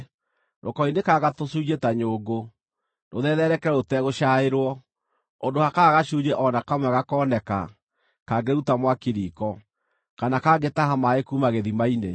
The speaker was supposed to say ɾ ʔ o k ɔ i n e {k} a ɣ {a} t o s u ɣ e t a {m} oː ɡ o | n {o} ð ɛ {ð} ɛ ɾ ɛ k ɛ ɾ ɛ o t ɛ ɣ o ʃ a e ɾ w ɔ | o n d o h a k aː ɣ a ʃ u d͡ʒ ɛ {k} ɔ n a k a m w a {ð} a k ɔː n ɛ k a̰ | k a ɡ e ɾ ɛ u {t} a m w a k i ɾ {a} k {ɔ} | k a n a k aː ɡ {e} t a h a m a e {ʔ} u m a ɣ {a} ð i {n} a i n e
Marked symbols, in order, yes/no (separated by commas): yes, yes, no, yes, yes, no, no, yes, no, yes, yes, no, no, no